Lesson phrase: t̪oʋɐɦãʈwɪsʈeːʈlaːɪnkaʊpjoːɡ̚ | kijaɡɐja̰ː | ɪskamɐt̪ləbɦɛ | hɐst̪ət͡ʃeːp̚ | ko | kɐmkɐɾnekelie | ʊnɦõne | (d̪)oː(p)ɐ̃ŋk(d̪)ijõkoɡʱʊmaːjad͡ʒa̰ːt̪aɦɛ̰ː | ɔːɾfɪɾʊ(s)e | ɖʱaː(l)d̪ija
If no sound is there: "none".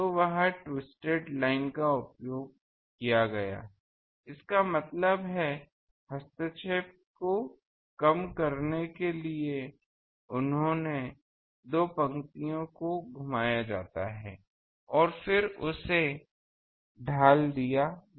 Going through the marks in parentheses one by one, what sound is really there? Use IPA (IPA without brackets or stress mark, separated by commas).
d̪, p, t̪, s, l